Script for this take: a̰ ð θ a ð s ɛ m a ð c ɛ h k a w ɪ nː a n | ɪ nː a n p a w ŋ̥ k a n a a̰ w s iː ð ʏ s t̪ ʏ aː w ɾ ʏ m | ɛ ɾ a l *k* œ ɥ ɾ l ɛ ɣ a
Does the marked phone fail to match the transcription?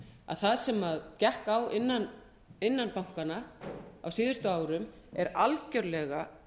yes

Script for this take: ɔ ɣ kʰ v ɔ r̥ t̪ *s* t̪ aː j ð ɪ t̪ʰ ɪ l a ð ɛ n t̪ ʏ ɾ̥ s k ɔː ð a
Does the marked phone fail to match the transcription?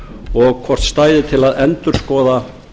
no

